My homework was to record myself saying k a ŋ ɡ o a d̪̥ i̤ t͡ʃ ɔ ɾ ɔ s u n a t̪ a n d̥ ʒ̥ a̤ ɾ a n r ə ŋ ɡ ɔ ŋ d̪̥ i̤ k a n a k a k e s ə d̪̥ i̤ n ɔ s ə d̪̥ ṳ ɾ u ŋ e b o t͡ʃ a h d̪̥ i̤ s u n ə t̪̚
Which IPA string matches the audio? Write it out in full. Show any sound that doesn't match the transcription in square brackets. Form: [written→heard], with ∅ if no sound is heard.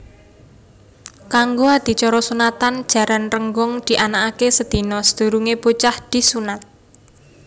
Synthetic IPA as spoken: k a ŋ ɡ o a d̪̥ i̤ t͡ʃ ɔ ɾ ɔ s u n a t̪ a n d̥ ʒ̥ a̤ ɾ a n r ə ŋ ɡ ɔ ŋ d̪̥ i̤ [k→ʔ] a n a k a k e s ə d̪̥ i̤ n ɔ s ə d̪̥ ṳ ɾ u ŋ e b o t͡ʃ a h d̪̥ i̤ s u n [ə→a] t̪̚